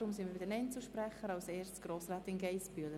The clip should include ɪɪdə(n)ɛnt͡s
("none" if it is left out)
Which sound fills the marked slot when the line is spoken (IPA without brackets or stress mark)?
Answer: n